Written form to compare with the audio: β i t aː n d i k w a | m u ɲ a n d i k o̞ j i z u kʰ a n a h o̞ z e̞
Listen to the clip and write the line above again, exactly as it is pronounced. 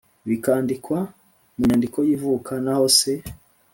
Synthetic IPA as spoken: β i k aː n d i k w a | m u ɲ a n d i k o̞ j i v u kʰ a n a h o̞ s e̞